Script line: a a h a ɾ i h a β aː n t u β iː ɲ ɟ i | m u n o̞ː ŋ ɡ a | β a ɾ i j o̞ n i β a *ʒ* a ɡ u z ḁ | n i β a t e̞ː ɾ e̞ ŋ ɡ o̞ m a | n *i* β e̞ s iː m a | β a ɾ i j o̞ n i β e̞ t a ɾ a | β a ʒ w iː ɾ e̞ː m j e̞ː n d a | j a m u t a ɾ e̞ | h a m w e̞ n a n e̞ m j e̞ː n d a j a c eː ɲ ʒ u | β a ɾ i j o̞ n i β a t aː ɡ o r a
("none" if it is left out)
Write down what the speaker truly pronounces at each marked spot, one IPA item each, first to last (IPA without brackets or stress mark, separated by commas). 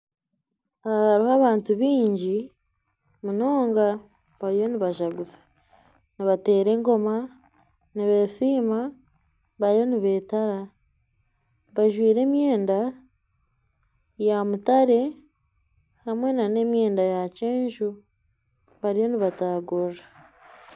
ʒ, i